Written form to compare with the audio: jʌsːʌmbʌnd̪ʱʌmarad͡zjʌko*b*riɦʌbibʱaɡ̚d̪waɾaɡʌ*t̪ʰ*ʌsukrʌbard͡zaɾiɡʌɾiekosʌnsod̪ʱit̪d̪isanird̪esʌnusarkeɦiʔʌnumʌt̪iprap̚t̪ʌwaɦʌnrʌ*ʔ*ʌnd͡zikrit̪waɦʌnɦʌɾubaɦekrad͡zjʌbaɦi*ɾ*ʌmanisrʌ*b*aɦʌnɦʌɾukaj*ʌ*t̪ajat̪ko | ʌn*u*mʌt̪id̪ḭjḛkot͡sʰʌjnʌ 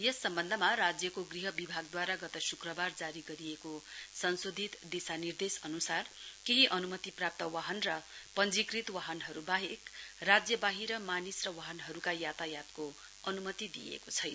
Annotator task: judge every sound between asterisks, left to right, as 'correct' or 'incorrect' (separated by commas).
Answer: incorrect, incorrect, incorrect, correct, incorrect, incorrect, correct